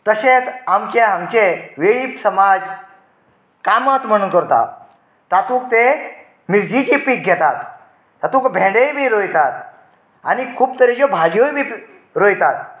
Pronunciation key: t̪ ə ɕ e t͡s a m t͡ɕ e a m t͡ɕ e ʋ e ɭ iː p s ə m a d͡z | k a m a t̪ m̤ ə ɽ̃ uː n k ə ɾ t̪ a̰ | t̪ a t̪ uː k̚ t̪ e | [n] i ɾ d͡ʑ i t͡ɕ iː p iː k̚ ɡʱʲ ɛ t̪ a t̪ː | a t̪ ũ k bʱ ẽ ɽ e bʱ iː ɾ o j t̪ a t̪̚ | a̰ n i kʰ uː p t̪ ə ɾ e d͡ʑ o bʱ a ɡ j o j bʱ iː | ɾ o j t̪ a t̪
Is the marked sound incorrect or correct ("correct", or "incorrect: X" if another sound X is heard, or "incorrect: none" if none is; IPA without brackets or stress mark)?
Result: incorrect: m